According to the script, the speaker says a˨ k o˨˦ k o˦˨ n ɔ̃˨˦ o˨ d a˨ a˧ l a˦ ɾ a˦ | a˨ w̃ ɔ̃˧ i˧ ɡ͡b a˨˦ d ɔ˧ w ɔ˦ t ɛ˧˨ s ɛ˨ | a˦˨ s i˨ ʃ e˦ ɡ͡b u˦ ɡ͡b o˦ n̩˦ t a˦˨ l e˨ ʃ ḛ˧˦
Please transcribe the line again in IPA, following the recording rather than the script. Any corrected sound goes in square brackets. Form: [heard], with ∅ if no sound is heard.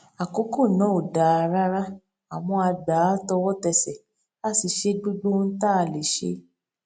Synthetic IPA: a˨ k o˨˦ k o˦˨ n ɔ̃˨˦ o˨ d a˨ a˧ [ɾ] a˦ ɾ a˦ | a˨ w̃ ɔ̃˧ [a˧] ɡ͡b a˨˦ [t] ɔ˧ w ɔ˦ t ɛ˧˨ s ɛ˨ | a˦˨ s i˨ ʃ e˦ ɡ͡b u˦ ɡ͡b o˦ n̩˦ t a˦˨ l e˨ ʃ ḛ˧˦